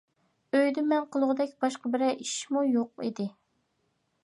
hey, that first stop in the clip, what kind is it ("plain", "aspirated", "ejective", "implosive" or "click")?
plain